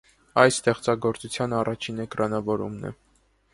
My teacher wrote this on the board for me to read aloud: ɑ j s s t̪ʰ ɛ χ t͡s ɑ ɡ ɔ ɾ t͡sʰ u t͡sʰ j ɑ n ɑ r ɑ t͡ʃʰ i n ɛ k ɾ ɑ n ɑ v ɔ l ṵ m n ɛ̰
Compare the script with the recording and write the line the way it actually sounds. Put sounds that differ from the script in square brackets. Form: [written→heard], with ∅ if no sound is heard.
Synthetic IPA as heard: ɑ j s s [t̪ʰ→t̪] ɛ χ t͡s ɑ ɡ ɔ ɾ [t͡sʰ→t͡s] u t͡sʰ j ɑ n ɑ r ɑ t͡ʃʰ i n ɛ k ɾ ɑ n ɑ v ɔ [l→ɾ] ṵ m n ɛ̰